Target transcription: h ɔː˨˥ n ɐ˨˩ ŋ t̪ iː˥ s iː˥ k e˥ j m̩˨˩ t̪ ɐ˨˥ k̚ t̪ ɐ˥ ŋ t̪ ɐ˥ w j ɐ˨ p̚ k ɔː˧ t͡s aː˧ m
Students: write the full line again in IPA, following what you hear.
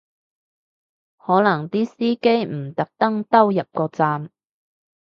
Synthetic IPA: h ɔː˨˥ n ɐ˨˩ ŋ t̪ iː˥ s iː˥ k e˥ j m̩˨˩ t̪ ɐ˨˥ k̚ t̪ ɐ˥ ŋ t̪ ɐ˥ w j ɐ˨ p̚ k ɔː˧ t͡s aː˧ m